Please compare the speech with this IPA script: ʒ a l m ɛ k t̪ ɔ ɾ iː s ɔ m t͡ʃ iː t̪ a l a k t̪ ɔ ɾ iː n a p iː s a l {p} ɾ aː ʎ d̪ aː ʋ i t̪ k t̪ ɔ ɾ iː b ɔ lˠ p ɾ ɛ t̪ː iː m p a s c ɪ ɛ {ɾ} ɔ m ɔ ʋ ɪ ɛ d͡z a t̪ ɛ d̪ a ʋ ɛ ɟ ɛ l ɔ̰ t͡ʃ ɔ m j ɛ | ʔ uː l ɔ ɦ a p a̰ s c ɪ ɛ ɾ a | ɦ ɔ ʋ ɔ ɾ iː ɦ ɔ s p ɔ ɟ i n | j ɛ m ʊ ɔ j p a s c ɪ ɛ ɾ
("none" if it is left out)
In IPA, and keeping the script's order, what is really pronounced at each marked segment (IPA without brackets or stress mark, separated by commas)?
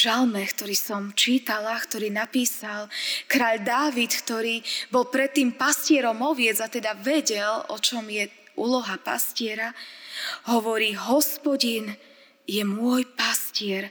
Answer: k, ɾ